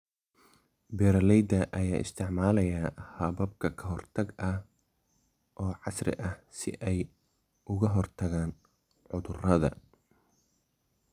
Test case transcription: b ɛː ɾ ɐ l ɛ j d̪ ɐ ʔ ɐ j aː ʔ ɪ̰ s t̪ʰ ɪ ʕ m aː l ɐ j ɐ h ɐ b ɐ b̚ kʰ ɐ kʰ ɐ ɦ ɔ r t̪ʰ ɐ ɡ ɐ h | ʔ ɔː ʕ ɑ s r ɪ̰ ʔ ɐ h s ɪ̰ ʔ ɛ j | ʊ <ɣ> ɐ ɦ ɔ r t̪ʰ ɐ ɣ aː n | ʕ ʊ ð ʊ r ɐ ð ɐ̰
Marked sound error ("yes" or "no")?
no